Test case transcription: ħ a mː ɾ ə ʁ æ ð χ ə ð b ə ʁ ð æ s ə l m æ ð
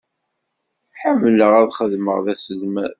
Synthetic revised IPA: ħ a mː l ə ʁ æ ð χ ə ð m ə ʁ ð æ s ə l m æ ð